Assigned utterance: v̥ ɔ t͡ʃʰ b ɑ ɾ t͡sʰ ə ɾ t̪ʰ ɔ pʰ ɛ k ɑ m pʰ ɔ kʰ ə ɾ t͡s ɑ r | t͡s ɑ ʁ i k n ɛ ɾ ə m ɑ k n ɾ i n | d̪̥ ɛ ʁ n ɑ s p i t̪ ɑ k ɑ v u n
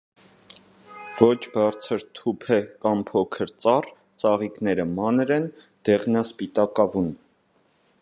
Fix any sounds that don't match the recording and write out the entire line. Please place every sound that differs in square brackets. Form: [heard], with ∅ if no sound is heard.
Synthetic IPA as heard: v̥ ɔ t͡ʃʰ b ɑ ɾ t͡sʰ ə ɾ t̪ʰ [u] pʰ ɛ k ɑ m pʰ ɔ kʰ ə ɾ t͡s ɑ r | t͡s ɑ ʁ i k n ɛ ɾ ə m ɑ [∅] n ɾ [ɛ] n | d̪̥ ɛ ʁ n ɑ s p i t̪ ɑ k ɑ v u n